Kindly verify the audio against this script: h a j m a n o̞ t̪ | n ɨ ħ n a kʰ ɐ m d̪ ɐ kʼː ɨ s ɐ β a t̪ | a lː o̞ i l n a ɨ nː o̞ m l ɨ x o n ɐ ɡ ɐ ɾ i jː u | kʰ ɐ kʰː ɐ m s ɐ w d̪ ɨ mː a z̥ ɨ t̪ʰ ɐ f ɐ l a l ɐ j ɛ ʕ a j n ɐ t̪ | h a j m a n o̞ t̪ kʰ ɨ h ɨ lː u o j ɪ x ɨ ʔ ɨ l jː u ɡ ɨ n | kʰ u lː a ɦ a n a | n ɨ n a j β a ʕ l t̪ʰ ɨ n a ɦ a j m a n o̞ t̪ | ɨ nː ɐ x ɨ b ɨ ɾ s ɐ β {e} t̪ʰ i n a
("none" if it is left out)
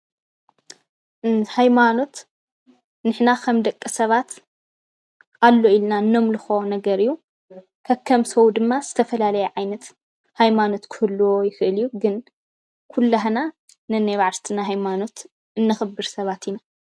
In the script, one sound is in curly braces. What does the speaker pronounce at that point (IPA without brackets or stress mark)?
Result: a